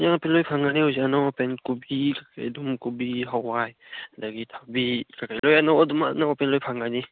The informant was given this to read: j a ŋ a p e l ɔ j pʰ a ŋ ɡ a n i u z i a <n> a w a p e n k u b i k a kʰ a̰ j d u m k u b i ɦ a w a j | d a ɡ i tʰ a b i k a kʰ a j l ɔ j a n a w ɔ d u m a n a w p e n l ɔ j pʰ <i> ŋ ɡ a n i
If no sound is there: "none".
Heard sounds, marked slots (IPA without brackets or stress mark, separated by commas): n, a